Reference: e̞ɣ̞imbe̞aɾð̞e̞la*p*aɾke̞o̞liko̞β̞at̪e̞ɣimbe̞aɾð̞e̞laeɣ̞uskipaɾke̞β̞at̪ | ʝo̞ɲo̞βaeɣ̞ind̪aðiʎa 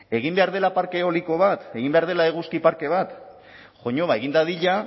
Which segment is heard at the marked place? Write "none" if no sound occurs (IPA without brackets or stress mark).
p